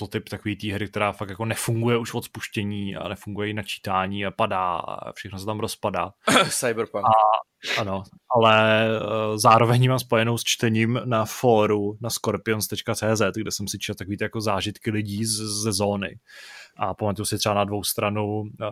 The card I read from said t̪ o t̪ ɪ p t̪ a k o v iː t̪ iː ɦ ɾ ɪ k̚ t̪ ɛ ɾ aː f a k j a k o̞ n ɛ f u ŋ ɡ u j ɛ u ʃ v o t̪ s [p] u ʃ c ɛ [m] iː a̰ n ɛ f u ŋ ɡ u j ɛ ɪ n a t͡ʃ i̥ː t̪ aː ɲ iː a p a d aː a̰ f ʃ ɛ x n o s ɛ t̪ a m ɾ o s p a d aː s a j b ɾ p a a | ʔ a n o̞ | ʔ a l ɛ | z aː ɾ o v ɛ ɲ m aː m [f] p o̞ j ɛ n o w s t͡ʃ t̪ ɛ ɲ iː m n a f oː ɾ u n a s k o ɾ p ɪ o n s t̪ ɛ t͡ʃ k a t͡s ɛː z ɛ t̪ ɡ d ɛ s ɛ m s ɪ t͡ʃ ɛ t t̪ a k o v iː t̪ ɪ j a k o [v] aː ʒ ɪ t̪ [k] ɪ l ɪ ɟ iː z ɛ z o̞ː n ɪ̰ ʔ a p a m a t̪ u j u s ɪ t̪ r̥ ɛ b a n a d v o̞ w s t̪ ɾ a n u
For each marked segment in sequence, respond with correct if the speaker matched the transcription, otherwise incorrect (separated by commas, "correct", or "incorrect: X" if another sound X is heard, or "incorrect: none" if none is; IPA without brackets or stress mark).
correct, incorrect: ɲ, incorrect: s, incorrect: z, correct